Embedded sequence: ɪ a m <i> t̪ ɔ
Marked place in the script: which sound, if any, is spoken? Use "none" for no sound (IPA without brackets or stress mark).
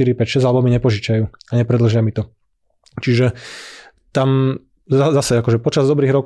i